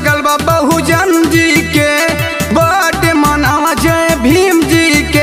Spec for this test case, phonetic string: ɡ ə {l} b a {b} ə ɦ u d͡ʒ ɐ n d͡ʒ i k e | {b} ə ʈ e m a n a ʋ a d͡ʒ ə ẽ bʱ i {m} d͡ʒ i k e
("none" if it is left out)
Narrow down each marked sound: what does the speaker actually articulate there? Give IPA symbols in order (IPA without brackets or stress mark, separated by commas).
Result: l, b, b, m